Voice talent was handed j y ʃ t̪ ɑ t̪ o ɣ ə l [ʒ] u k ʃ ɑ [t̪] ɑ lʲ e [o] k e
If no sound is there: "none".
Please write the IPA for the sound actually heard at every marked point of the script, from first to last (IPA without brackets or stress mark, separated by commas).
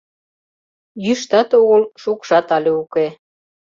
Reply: ʃ, t̪, u